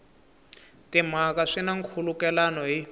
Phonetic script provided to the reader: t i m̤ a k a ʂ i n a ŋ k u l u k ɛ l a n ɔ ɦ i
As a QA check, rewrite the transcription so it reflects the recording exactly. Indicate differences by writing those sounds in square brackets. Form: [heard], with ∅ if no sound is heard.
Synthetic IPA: t i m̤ a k a ʂ i n a ŋ [kʰ] u l u k ɛ l a n ɔ ɦ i